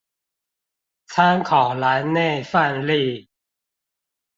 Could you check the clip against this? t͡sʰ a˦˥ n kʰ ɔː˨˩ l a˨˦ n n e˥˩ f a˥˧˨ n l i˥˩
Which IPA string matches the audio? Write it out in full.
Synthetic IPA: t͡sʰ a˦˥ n kʰ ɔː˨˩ l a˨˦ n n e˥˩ f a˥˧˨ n l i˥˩

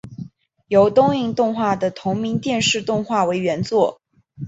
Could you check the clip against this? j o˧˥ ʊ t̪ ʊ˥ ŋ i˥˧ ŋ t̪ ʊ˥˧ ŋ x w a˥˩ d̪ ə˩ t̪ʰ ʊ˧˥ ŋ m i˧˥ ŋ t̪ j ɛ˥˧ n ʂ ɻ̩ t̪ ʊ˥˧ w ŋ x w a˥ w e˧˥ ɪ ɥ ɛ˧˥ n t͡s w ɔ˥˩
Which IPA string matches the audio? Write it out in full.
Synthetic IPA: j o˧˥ ʊ t̪ ʊ˥ ŋ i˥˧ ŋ t̪ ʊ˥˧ ŋ x w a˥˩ d̪ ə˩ t̪ʰ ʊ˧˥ ŋ m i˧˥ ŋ t̪ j ɛ˥˧ n ʂ ɻ̩ t̪ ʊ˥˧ ŋ x w a˥˩ w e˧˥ ɪ ɥ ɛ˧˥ n t͡s w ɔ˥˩

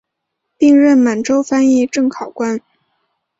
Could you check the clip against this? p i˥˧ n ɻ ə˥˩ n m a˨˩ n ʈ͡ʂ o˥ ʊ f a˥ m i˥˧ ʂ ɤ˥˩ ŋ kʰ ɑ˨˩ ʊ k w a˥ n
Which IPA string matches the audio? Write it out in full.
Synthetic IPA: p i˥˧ ŋ ɻ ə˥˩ n m a˨˩ n ʈ͡ʂ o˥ ʊ f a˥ n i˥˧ ʈ͡ʂ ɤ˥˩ ŋ kʰ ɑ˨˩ ʊ k w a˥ n

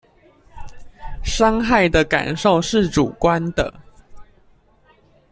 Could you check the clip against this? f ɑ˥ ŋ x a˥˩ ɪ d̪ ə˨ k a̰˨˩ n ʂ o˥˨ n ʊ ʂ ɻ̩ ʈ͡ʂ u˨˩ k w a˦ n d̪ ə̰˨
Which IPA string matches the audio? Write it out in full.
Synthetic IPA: ʂ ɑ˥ ŋ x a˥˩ ɪ d̪ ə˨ k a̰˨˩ n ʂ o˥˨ ʊ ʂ ɻ̩ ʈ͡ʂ u˨˩ k w a˦ n d̪ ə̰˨

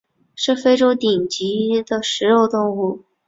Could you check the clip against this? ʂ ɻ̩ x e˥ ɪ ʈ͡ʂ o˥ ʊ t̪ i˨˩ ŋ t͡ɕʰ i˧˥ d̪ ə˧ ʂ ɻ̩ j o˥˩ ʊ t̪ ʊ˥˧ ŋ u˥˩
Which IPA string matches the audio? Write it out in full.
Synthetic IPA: ʂ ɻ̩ f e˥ ɪ ʈ͡ʂ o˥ ʊ t̪ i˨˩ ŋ t͡ɕ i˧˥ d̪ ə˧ ʂ ɻ̩ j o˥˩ ʊ t̪ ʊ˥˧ ŋ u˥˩

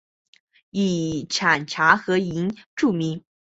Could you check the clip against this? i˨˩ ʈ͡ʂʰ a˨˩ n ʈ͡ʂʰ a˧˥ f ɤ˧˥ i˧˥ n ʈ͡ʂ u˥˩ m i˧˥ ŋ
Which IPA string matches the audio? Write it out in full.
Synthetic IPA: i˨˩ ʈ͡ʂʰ a˨˩ n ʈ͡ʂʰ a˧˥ x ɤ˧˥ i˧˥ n ʈ͡ʂ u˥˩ m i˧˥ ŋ

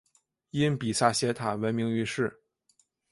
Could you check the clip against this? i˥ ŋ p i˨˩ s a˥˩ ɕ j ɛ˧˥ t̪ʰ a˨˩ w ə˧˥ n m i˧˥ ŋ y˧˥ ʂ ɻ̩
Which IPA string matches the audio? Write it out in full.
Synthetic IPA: i˥ n p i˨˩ s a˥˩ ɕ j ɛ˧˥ t̪ʰ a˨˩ w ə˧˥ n m i˧˥ ŋ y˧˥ ʂ ɻ̩

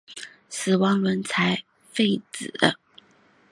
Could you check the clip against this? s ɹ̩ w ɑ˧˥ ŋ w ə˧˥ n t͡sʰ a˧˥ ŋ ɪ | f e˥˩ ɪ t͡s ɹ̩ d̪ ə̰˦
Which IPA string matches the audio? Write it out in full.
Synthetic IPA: s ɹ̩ w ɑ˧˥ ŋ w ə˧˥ n t͡sʰ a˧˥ ɪ | f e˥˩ ɪ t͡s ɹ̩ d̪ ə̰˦

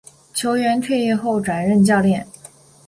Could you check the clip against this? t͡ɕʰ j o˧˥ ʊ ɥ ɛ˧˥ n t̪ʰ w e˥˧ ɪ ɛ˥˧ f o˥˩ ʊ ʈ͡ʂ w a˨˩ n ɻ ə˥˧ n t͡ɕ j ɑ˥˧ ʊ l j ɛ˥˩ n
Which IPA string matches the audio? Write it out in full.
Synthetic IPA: t͡ɕʰ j o˧˥ ʊ ɥ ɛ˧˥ n t̪ʰ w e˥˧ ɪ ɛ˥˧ x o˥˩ ʊ ʈ͡ʂ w a˨˩ n ɻ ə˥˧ n t͡ɕ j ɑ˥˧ ʊ l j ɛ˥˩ n

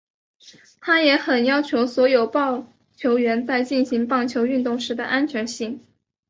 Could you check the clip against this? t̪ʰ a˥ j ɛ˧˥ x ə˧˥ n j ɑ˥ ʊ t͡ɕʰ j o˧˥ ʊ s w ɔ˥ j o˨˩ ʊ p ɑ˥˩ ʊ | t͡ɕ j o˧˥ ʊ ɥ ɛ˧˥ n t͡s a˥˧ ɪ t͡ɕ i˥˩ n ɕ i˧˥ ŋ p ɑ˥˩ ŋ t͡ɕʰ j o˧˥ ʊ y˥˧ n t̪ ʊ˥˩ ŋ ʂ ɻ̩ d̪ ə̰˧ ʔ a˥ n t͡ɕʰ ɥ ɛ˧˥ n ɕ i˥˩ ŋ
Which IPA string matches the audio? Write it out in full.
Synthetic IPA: t̪ʰ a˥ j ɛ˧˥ x ə˨˩ n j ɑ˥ ʊ t͡ɕʰ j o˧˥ ʊ s w ɔ˧˥ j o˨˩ ʊ p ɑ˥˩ ʊ | t͡ɕʰ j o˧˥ ʊ ɥ ɛ˧˥ n t͡s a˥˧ ɪ t͡ɕ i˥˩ n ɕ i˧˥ ŋ p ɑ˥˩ ŋ t͡ɕʰ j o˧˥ ʊ y˥˧ n t̪ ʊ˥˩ ŋ ʂ ɻ̩ d̪ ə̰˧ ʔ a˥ n t͡ɕʰ ɥ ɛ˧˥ n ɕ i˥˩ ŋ

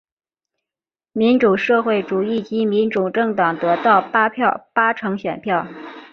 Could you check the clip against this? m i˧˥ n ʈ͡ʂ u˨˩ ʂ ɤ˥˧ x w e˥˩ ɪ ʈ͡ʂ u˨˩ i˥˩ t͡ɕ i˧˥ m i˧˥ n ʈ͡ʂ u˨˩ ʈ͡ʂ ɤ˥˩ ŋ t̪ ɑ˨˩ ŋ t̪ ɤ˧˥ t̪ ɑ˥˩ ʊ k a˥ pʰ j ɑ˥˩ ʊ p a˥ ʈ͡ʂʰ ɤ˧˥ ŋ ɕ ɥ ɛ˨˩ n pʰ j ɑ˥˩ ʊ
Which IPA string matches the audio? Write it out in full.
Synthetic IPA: m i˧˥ n ʈ͡ʂ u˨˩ ʂ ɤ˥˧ x w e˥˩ ɪ ʈ͡ʂ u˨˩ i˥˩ t͡ɕ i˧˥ m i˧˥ n ʈ͡ʂ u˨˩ ʈ͡ʂ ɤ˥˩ ŋ t̪ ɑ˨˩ ŋ t̪ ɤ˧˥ t̪ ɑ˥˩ ʊ p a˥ pʰ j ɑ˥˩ ʊ p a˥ ʈ͡ʂʰ ɤ˧˥ ŋ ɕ ɥ ɛ˨˩ n pʰ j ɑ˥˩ ʊ

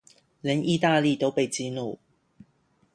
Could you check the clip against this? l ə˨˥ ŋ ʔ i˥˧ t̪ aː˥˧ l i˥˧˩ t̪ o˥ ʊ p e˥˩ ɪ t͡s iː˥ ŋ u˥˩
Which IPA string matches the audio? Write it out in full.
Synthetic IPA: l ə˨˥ n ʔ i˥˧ t̪ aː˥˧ l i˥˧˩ t̪ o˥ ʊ p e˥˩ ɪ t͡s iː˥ n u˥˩

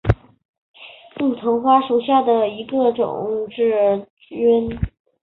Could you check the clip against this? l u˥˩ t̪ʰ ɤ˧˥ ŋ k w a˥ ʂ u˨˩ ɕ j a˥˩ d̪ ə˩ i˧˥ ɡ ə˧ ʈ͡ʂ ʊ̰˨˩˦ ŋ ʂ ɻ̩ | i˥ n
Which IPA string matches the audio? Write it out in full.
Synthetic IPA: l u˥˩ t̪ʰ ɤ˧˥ ŋ x w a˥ ʂ u˨˩ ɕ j a˥˩ d̪ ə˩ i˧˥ ɡ ə˧ ʈ͡ʂ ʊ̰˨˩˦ ŋ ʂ ɻ̩ | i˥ n

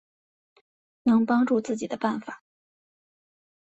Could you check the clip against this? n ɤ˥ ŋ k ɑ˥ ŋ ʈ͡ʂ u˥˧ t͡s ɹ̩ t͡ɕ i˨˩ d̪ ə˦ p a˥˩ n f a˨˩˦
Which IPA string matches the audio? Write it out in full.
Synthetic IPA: n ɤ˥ ŋ p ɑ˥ ŋ ʈ͡ʂ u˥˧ t͡s ɹ̩ t͡ɕ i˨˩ d̪ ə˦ p a˥˩ n f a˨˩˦

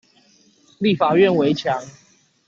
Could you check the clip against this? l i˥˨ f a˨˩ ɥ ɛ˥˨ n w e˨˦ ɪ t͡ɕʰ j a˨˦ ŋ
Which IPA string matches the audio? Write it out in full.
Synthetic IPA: l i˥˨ f a˨˩ ɥ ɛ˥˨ n w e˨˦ ɪ t͡ɕʰ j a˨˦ ŋ

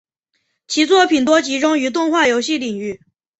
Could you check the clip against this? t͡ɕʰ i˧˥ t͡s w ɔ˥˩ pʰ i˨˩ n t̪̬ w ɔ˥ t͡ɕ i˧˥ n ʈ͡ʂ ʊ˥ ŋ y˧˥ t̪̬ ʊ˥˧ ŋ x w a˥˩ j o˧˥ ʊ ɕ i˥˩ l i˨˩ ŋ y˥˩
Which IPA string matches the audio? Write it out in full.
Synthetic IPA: t͡ɕʰ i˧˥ t͡s w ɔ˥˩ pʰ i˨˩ n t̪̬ w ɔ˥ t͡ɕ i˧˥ ʈ͡ʂ ʊ˥ ŋ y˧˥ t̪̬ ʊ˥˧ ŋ x w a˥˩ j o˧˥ ʊ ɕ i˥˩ l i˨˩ ŋ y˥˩

